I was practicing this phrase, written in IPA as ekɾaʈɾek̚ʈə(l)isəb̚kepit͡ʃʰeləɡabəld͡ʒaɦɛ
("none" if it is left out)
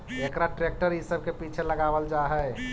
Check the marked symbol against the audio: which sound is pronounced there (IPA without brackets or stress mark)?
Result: ɾ